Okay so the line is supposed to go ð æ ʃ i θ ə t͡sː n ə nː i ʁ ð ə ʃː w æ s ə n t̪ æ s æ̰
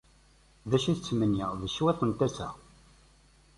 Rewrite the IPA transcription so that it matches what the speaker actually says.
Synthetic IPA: ð æ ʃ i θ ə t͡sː m ə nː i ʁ ð ə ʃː w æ θ ə n t̪ æ s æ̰